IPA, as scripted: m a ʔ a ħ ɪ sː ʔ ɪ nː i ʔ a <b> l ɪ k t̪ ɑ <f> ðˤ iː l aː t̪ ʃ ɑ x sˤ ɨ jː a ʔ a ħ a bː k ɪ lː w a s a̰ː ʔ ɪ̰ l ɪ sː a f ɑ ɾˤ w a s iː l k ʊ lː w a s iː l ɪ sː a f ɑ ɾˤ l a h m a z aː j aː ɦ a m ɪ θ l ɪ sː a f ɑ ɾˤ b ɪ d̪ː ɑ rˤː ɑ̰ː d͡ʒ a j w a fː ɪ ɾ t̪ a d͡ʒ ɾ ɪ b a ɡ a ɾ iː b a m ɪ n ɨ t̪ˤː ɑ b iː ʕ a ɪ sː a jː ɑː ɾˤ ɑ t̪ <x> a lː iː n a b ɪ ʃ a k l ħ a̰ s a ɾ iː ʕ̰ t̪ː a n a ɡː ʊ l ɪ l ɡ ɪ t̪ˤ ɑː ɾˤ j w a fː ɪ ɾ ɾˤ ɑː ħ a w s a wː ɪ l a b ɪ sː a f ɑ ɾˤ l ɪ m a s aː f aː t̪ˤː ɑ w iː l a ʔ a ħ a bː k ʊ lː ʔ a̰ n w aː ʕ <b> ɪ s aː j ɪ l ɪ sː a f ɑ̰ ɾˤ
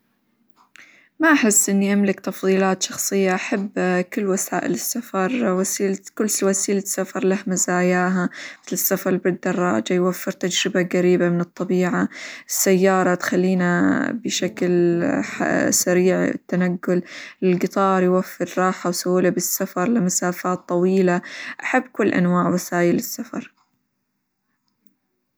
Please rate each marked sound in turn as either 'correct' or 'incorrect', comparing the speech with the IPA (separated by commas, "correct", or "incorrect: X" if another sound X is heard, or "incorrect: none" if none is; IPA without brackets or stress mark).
incorrect: m, correct, correct, incorrect: w